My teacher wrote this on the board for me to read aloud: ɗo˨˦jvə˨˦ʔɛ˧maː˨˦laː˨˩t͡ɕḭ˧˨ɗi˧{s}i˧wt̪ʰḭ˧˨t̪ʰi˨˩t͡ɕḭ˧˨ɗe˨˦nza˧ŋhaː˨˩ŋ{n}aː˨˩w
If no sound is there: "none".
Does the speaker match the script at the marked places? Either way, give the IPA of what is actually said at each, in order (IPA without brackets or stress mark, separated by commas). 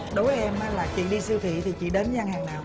s, n